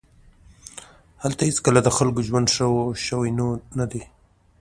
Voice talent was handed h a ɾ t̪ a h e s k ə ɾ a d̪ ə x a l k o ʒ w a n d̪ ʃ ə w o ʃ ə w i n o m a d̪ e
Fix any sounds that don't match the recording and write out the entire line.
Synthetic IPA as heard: h a l t̪ a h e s k ə l a d̪ ə x a l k o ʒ w a n d̪ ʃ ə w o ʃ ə w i n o n a d̪ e